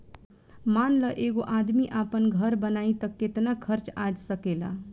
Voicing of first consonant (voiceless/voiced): voiced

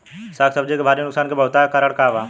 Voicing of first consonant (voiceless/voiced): voiceless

